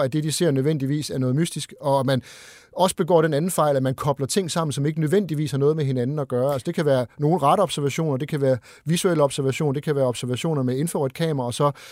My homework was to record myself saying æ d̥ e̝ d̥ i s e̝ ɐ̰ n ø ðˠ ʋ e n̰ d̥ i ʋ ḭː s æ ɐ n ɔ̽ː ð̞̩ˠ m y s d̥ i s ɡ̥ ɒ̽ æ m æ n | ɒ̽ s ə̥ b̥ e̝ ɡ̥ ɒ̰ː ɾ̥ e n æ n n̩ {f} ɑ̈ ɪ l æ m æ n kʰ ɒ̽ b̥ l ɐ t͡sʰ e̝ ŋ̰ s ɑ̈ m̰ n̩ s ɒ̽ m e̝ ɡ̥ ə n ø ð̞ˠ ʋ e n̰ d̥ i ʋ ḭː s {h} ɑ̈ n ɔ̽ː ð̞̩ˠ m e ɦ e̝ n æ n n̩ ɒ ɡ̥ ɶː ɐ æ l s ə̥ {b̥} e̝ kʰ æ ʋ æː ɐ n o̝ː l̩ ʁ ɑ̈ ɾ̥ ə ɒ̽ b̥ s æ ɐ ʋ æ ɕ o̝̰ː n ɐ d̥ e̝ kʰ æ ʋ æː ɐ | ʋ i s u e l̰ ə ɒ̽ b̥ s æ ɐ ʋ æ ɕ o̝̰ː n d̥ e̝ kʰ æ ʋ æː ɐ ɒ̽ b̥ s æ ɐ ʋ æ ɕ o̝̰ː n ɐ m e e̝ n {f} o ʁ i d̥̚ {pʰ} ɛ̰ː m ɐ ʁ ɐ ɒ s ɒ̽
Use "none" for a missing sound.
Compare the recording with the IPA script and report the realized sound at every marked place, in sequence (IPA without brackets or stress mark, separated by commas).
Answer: f, h, d̥, f, kʰ